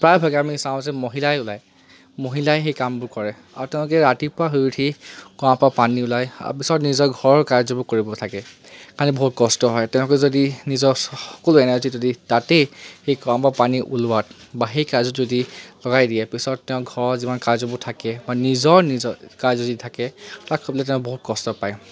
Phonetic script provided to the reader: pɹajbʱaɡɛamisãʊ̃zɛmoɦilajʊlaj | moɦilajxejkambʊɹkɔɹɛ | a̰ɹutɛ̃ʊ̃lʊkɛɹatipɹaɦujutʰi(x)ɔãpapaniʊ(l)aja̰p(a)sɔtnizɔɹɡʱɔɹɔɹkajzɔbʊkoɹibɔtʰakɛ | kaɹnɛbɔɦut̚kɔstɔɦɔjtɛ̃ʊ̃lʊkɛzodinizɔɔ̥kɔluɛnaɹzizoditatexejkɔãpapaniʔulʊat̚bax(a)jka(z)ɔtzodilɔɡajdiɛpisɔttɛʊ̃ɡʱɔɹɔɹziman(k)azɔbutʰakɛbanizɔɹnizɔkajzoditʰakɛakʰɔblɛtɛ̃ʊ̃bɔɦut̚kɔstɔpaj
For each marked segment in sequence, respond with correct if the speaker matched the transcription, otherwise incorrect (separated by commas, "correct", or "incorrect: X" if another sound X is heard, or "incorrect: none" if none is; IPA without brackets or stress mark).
incorrect: k, correct, incorrect: i, incorrect: e, correct, correct